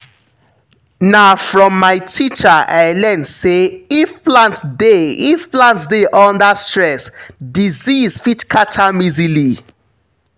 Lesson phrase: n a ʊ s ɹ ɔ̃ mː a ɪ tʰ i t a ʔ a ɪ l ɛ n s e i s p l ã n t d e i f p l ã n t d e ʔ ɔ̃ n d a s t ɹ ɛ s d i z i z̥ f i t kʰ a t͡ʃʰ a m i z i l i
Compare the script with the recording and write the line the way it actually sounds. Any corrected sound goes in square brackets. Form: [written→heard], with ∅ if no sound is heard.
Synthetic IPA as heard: n a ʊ [s→f] ɹ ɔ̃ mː a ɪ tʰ i [t→t͡ʃ] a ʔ a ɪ l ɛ n s e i [s→f] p l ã n t d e i f p l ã n t d e ʔ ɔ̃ n d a s t ɹ ɛ s d i z i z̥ f i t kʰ a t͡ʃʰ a m i z i l i